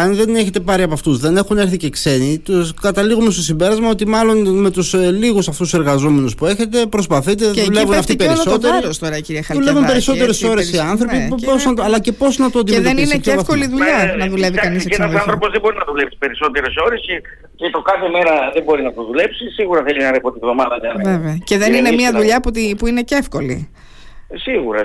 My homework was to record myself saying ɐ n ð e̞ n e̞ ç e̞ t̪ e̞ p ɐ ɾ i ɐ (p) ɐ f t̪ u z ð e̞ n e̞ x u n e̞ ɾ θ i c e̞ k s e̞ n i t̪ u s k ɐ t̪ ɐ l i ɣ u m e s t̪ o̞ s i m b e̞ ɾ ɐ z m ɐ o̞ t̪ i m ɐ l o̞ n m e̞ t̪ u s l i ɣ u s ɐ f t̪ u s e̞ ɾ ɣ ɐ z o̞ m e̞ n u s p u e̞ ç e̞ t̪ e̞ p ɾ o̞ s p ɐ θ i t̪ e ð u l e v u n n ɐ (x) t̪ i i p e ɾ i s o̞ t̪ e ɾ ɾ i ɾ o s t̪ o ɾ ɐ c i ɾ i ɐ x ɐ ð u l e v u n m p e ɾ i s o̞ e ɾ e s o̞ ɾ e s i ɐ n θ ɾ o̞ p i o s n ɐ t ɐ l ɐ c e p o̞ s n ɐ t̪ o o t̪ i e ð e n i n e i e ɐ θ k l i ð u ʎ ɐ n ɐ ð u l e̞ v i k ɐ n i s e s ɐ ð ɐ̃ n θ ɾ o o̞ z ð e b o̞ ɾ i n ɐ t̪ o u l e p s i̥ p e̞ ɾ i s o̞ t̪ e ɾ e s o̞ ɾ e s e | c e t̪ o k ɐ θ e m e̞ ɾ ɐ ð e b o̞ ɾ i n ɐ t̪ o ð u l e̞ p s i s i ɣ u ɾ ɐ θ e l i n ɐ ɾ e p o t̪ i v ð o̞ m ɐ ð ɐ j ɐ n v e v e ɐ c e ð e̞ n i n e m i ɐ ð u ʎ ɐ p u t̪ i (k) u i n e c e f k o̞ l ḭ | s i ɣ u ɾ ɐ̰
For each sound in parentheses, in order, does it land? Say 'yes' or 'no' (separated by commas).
yes, no, no